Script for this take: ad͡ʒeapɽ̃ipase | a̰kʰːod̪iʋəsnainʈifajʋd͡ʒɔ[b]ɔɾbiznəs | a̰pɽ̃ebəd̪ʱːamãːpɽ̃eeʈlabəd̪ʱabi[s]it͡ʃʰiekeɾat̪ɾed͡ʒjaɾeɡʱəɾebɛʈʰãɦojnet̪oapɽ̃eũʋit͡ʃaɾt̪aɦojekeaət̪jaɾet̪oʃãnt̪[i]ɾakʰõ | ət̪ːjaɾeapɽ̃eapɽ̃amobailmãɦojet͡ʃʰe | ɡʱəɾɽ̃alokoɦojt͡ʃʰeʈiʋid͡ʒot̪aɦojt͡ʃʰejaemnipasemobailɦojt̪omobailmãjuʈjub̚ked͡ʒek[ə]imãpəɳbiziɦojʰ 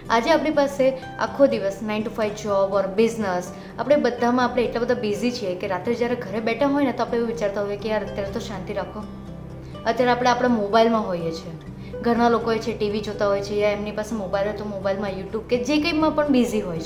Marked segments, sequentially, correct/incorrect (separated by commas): correct, incorrect, correct, correct